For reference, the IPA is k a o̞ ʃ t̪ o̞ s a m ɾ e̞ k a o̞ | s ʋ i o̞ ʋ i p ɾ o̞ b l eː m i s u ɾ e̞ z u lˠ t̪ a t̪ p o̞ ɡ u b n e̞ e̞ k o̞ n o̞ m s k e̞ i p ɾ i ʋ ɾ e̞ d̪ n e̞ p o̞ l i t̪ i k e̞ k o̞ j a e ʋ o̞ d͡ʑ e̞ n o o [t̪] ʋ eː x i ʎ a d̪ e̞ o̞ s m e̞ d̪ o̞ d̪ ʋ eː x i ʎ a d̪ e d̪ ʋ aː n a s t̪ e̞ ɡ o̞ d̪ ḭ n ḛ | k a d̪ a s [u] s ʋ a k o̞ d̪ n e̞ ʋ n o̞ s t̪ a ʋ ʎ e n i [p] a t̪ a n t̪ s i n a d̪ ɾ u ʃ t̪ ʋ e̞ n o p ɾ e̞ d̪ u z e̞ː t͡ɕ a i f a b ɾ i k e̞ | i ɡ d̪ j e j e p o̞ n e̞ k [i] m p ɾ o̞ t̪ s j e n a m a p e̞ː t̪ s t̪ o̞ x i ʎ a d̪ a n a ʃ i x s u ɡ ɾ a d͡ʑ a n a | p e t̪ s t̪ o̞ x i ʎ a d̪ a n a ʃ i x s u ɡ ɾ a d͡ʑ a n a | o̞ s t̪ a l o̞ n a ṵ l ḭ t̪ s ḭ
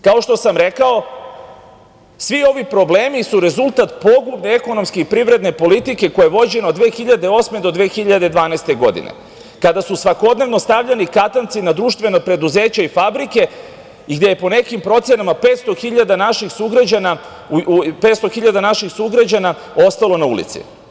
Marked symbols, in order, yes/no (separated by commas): no, yes, no, yes